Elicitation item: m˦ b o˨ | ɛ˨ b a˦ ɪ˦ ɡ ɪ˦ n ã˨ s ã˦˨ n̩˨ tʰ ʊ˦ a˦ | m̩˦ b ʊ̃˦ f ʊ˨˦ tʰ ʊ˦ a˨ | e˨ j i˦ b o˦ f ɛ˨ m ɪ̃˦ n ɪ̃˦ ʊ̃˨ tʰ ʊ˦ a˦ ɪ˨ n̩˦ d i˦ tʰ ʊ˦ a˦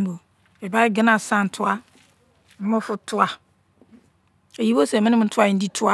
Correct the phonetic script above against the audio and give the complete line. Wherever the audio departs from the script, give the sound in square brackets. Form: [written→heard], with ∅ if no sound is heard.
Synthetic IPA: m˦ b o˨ | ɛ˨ b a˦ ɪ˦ ɡ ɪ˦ n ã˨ s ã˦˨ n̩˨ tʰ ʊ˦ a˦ | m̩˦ [b→m] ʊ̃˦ f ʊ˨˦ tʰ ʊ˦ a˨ | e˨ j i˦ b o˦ [f→s] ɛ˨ m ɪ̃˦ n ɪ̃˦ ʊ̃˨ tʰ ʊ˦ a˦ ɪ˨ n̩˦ d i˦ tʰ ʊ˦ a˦